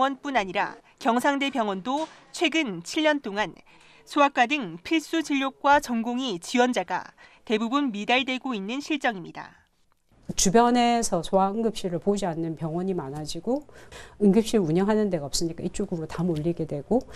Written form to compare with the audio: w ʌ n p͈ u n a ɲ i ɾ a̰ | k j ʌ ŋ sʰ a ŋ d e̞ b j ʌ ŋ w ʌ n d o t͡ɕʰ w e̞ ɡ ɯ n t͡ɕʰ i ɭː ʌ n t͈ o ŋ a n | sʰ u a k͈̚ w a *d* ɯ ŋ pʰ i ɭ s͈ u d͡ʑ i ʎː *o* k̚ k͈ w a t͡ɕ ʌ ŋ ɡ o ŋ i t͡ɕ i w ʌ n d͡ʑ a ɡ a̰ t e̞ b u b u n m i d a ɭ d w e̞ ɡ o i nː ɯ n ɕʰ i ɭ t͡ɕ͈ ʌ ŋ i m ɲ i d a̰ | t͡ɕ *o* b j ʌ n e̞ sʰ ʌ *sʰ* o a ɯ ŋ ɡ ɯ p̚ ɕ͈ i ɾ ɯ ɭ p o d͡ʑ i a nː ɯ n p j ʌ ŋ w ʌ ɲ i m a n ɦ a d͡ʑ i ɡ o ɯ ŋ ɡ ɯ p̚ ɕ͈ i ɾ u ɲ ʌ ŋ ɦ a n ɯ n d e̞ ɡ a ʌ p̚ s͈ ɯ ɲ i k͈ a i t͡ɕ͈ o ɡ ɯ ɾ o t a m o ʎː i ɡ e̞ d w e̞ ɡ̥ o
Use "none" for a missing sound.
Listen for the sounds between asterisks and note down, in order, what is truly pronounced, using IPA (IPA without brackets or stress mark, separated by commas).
d, o, u, sʰ